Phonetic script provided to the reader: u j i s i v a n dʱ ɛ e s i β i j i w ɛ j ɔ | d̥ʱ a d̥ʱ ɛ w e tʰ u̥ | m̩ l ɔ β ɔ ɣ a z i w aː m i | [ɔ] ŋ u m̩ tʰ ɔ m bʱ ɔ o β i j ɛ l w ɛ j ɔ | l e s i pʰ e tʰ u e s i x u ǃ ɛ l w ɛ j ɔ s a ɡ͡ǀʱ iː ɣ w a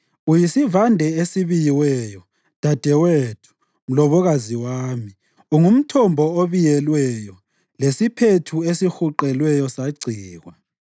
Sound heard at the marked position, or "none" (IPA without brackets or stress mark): u